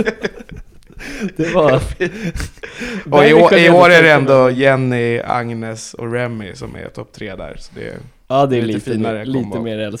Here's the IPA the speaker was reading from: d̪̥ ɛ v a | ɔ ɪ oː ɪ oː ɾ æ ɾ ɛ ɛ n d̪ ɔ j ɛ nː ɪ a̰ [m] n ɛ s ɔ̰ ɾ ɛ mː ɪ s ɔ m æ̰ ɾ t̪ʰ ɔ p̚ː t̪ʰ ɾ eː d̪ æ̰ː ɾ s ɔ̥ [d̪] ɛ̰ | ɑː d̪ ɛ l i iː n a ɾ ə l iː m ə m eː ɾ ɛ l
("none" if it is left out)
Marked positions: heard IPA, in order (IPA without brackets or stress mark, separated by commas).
ŋ, d̪